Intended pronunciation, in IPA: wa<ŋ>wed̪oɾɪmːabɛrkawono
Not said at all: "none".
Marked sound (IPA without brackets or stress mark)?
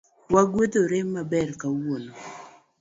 ɡ